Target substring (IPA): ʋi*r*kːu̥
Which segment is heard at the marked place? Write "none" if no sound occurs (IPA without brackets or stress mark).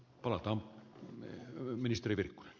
r